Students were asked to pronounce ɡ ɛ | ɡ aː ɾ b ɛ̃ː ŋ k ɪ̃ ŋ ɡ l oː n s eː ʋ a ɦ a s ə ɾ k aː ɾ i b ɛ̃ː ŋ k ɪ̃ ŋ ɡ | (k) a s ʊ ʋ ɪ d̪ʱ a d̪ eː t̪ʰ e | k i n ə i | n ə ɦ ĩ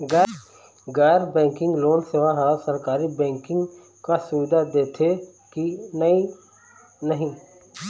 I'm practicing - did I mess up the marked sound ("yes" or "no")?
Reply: no